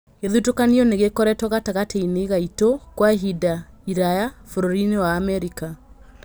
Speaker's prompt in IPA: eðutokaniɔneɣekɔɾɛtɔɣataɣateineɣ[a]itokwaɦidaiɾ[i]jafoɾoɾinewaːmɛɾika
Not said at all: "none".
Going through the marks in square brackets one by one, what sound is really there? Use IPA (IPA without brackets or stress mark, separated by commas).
a, a